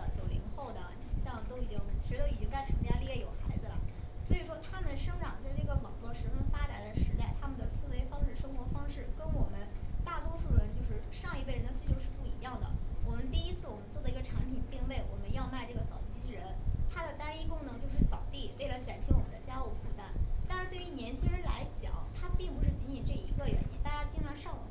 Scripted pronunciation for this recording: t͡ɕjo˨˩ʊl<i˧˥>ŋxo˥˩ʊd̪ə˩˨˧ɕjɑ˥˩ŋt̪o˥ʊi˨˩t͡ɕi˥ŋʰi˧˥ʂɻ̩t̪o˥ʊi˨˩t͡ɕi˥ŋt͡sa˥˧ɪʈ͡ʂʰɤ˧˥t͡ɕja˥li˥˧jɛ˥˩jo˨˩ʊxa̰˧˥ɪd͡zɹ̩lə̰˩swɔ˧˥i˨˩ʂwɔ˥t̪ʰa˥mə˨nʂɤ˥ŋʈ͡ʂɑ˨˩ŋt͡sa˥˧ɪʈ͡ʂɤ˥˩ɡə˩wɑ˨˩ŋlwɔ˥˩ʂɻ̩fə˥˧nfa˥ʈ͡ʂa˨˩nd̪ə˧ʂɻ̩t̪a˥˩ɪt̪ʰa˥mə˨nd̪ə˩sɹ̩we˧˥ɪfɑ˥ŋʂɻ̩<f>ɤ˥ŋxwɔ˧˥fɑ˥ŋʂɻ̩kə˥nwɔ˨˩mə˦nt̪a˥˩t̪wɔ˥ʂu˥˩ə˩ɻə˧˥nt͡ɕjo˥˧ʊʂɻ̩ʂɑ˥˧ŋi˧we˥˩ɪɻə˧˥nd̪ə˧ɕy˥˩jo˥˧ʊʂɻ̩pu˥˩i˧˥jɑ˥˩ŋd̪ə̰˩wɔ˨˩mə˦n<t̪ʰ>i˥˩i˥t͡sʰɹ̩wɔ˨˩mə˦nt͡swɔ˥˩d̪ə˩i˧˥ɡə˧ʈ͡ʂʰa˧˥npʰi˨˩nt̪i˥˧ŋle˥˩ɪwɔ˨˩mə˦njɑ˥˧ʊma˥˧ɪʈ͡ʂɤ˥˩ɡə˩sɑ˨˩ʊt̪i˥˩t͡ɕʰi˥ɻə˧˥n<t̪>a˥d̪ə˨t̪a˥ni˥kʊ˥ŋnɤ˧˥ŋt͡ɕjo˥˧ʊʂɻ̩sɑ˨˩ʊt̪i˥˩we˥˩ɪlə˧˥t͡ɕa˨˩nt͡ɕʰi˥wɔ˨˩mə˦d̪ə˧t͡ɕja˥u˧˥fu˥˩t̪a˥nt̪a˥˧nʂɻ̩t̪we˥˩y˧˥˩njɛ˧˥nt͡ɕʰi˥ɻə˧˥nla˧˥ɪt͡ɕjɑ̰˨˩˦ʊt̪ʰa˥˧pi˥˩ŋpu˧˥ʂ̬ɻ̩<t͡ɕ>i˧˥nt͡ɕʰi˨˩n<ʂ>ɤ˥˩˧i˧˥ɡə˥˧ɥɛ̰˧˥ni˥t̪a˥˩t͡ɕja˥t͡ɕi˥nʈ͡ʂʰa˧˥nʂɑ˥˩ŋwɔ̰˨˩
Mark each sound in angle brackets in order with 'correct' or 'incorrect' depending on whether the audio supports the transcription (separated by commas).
correct, incorrect, incorrect, incorrect, correct, incorrect